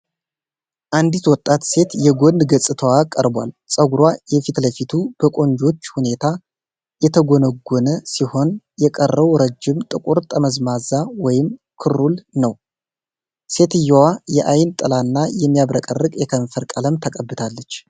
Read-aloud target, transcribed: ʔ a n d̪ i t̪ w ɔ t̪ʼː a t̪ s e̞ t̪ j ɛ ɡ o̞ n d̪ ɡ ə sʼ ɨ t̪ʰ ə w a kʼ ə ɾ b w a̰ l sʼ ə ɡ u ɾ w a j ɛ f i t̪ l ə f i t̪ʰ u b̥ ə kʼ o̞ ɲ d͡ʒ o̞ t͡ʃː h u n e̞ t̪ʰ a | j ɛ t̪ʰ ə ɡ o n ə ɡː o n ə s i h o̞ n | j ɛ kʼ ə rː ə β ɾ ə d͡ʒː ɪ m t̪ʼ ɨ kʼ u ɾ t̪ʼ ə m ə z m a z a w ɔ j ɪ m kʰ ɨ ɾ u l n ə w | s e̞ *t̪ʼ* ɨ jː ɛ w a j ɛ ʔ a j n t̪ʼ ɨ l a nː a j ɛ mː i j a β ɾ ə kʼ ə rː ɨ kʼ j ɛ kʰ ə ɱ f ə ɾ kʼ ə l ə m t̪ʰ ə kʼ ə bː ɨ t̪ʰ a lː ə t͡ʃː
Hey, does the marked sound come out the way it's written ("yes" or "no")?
no